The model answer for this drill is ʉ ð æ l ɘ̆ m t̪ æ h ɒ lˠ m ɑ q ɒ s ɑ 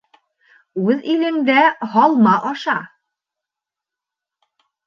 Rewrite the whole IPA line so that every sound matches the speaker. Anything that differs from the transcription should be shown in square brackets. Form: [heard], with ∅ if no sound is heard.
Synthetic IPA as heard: ʉ ð [i] l ɘ̆ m [d̪] æ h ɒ lˠ m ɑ [ʔ] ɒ [ʃ] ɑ